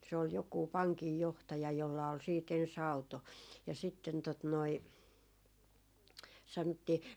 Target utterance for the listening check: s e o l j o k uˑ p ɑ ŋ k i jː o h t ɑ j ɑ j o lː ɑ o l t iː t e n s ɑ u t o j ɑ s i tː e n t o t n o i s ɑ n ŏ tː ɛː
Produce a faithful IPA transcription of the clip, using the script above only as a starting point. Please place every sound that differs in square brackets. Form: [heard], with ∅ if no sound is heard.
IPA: s e o l j o k uˑ p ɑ ŋ k i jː o h t ɑ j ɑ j o lː ɑ o l [s] iː t e n s ɑ u t o j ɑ s i tː e n t o t n o i s ɑ n ŏ tː [iː]